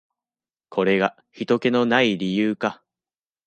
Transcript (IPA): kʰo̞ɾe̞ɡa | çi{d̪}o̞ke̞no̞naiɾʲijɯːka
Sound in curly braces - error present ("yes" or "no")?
yes